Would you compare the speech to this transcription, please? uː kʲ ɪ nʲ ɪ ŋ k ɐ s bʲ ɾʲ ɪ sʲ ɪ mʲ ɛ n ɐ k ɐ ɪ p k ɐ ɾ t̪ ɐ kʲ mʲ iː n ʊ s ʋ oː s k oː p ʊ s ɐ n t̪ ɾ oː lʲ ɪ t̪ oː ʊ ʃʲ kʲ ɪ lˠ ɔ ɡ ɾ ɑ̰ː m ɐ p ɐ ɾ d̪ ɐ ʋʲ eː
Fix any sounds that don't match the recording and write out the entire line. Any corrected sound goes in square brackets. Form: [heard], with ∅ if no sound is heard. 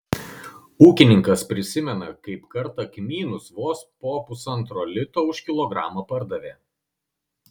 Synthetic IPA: uː kʲ ɪ nʲ ɪ ŋ k ɐ s [pʲ] ɾʲ ɪ sʲ ɪ mʲ ɛ n ɐ k ɐ ɪ p k ɐ ɾ t̪ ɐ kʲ mʲ iː n ʊ s ʋ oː s [p] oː p ʊ s ɐ n t̪ ɾ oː lʲ ɪ t̪ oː ʊ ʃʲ kʲ ɪ lˠ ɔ ɡ ɾ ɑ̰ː m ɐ p ɐ ɾ d̪ ɐ ʋʲ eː